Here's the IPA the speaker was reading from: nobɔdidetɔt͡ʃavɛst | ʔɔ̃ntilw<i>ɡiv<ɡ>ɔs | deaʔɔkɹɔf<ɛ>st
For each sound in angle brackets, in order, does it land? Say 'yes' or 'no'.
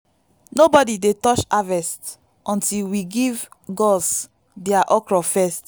yes, yes, yes

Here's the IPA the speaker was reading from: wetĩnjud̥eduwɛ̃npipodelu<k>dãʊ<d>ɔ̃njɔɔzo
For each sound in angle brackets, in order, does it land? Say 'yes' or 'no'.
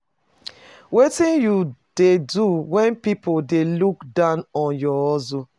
yes, no

